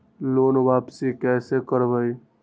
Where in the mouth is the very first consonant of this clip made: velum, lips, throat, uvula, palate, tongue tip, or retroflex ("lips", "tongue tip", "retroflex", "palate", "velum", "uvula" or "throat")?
tongue tip